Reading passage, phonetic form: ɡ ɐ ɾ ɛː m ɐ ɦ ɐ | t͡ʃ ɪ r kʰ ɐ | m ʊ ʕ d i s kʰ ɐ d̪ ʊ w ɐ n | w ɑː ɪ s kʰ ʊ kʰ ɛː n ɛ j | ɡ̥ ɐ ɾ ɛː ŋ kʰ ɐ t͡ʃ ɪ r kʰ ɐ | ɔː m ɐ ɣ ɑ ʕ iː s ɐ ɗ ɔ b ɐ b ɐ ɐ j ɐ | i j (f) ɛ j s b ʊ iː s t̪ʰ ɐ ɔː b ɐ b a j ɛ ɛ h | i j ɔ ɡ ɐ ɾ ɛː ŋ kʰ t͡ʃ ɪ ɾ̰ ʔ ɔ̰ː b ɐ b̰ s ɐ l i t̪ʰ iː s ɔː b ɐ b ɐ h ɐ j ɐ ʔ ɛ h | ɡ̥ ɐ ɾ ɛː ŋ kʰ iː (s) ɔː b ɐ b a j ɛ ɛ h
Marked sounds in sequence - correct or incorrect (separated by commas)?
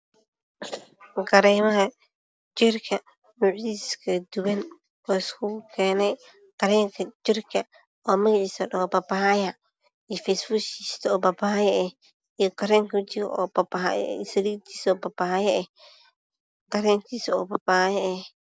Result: correct, correct